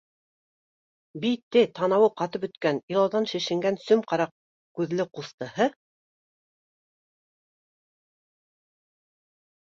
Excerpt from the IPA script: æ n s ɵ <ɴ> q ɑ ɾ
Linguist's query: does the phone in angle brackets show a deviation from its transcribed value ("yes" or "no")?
yes